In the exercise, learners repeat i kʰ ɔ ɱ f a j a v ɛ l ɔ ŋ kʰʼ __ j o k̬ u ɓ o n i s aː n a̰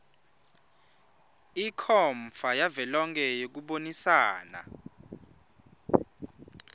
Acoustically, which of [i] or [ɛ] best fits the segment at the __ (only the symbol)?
ɛ